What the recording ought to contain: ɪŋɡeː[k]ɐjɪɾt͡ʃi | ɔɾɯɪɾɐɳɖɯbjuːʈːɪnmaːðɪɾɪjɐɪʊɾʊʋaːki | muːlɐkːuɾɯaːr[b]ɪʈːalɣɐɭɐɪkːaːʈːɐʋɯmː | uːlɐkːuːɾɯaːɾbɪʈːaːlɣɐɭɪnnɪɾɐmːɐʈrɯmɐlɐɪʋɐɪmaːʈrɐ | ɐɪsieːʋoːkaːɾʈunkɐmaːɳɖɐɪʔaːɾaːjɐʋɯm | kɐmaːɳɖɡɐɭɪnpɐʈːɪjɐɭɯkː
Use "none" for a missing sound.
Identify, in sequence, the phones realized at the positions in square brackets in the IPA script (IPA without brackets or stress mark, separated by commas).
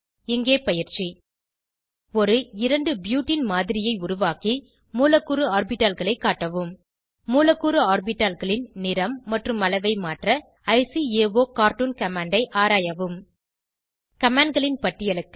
p, b